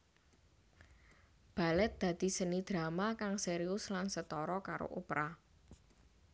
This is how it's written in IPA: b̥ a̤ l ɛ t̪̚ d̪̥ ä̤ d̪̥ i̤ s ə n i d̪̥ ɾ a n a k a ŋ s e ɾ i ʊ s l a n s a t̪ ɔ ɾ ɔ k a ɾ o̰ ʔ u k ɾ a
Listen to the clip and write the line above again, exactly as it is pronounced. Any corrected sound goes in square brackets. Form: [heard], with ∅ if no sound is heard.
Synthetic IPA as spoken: b̥ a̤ l ɛ t̪̚ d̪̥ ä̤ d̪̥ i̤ s ə n i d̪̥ ɾ a [m] a k a ŋ s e ɾ i ʊ s l a n s [ə] t̪ ɔ ɾ ɔ k a ɾ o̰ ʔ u [p] ɾ a